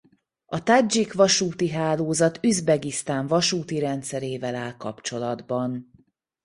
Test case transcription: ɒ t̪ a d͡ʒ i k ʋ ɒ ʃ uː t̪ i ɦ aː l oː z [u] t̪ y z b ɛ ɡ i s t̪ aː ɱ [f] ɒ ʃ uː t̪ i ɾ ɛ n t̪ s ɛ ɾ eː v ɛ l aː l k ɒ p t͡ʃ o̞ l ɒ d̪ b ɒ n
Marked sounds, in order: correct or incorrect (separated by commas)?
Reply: incorrect, incorrect